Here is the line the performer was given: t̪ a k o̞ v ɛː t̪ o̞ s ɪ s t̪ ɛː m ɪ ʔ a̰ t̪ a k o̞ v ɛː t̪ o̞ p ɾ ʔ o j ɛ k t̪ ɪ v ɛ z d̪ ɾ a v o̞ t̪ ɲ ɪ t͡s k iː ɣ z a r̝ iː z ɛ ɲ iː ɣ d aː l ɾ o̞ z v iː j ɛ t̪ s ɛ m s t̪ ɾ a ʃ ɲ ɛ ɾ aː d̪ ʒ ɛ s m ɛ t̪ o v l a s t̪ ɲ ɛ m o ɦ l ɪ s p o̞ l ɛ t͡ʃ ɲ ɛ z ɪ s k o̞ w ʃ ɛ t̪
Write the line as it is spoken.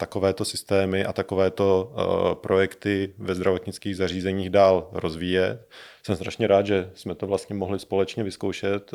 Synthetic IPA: t̪ a k o̞ v ɛː t̪ o̞ s ɪ s t̪ ɛː m ɪ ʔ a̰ t̪ a k o̞ v ɛː t̪ o̞ p ɾ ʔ o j ɛ k t̪ ɪ v ɛ z d̪ ɾ a v o̞ t̪ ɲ ɪ t͡s k iː ɣ z a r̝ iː z ɛ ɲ iː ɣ d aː l ɾ o̞ z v iː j ɛ t̪ s ɛ m s t̪ ɾ a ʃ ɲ ɛ ɾ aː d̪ ʒ ɛ s m ɛ t̪ o v l a s t̪ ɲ ɛ m o ɦ l ɪ s p o̞ l ɛ t͡ʃ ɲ ɛ v ɪ s k o̞ w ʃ ɛ t̪